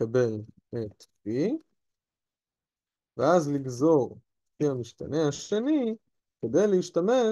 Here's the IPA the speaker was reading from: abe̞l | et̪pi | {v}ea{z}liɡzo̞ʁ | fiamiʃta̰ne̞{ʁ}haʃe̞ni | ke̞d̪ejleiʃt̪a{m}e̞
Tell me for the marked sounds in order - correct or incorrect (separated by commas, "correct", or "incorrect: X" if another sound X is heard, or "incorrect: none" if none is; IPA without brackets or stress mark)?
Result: correct, correct, incorrect: none, correct